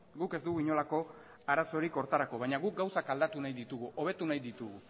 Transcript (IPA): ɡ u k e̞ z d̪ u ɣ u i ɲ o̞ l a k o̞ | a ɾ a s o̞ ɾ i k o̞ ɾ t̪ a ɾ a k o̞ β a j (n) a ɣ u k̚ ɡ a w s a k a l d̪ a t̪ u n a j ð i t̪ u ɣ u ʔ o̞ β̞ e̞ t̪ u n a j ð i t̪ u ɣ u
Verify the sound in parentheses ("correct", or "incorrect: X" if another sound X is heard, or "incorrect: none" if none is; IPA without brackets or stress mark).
incorrect: ɲ